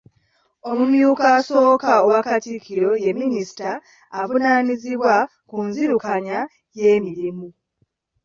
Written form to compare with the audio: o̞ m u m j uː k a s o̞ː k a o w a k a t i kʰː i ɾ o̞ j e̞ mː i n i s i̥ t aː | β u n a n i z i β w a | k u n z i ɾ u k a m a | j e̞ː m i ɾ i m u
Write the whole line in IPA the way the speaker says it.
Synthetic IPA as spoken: o̞ m u m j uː k a s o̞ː k a o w a k a t i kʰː i ɾ o̞ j e̞ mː i n i s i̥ t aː | v u n a n i z i β w a | k u n z i ɾ u k a ɲ a | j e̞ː m i ɾ i m u